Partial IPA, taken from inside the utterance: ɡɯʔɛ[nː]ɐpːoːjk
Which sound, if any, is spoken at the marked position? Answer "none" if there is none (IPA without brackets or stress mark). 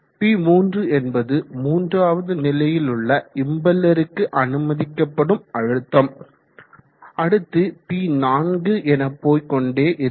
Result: n